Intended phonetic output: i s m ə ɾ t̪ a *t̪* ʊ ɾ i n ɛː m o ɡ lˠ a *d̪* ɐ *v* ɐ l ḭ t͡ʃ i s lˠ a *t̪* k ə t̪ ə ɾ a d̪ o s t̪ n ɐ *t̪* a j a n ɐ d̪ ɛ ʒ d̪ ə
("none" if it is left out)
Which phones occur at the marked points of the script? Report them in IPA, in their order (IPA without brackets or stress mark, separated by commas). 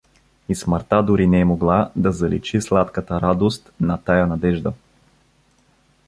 d̪, d̪, z, t̪, t̪